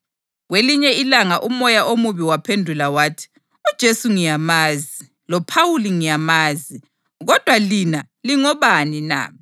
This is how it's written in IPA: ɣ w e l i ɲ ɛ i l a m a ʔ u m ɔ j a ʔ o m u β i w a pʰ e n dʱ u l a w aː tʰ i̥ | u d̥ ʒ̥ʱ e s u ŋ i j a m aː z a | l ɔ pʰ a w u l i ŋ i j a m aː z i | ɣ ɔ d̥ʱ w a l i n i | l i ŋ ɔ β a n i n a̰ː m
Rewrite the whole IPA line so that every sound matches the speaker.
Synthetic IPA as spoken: ɣ w e l i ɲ ɛ i l a ŋ a ʔ u m ɔ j a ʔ o m u β i w a pʰ e n dʱ u l a w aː tʰ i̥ | u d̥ ʒ̥ʱ e s u ŋ i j a m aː z i | l ɔ pʰ a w u l i ŋ i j a m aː z i | ɣ ɔ d̥ʱ w a l i n a | l i ŋ ɔ β a n i n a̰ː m